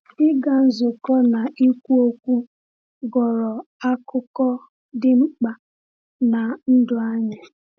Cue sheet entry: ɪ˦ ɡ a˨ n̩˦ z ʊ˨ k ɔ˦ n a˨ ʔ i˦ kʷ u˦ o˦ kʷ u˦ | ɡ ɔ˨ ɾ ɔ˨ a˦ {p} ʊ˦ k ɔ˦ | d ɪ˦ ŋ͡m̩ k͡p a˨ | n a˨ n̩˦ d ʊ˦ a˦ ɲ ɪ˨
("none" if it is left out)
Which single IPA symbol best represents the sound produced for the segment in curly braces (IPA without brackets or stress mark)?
k